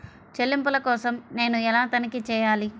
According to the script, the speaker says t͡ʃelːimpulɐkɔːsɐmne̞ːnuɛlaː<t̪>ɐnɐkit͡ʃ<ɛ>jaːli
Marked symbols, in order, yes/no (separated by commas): yes, no